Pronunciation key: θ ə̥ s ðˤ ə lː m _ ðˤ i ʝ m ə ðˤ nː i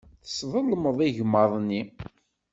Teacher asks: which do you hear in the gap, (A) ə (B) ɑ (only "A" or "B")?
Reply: A